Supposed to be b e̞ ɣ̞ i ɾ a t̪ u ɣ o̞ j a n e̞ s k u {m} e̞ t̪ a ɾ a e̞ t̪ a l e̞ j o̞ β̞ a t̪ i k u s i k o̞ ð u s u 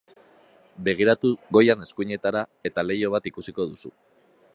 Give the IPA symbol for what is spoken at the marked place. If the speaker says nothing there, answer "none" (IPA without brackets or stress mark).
ɲ